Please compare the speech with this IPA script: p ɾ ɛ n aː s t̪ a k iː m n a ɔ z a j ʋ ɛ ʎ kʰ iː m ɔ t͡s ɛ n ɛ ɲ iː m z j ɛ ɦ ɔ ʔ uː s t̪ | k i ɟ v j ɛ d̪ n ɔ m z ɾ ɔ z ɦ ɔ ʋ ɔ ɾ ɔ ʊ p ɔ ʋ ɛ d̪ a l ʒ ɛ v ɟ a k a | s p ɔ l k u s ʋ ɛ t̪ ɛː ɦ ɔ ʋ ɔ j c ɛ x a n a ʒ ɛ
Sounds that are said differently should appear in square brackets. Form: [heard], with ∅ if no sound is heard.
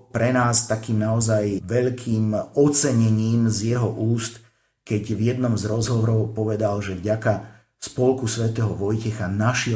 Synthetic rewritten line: p ɾ ɛ n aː s t̪ a k iː m n a ɔ z a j ʋ ɛ ʎ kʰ iː m ɔ t͡s ɛ [ɲ] ɛ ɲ iː m z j ɛ ɦ ɔ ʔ uː s t̪ | k [ɛ] ɟ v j ɛ d̪ n ɔ m z ɾ ɔ z ɦ ɔ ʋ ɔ ɾ ɔ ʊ p ɔ ʋ ɛ d̪ a l ʒ ɛ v ɟ a k a | s p ɔ l k u s ʋ ɛ t̪ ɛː ɦ ɔ ʋ ɔ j c ɛ x a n a [ʃ] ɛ